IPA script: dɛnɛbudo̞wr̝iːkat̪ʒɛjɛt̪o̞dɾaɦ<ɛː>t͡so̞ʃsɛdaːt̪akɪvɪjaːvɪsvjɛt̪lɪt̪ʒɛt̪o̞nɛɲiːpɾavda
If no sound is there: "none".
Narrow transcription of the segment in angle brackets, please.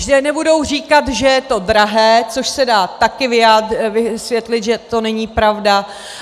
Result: ɛː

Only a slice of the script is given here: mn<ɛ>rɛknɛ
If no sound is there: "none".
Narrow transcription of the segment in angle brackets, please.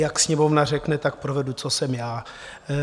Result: a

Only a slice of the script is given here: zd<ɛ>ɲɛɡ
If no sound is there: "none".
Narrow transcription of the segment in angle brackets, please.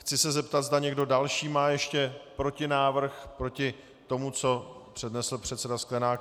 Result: a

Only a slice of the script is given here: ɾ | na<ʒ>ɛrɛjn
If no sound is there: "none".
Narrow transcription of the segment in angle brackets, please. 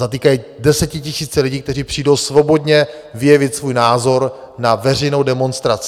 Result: v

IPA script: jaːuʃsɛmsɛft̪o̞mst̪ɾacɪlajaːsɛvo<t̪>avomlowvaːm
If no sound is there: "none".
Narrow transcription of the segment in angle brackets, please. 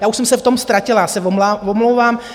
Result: none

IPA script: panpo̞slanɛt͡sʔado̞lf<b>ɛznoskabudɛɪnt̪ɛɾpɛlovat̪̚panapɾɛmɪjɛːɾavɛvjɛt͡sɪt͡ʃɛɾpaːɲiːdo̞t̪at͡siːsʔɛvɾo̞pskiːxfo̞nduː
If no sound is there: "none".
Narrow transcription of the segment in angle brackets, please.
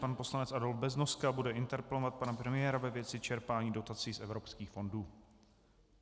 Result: b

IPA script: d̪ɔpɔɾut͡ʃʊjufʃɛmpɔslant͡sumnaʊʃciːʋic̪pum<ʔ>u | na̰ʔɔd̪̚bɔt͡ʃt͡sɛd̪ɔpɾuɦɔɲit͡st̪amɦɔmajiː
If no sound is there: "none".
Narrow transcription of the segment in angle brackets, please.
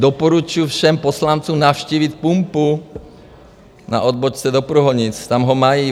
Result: p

